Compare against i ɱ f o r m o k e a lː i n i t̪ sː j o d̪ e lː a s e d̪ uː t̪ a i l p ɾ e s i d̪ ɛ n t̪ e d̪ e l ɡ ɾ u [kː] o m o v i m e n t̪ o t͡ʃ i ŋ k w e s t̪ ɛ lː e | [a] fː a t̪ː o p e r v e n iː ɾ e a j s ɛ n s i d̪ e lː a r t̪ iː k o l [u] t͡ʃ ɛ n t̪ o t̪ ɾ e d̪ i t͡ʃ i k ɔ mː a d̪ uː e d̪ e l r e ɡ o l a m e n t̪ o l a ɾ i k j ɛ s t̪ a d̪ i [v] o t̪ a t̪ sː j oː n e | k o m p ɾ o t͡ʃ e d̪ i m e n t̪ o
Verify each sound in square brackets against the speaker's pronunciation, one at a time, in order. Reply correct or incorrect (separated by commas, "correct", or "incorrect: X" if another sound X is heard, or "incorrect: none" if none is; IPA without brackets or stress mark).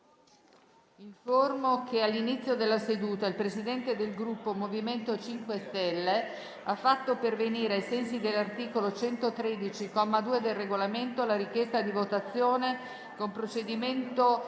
incorrect: pː, correct, incorrect: o, correct